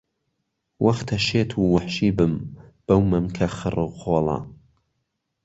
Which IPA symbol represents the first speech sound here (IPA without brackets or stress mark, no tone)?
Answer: w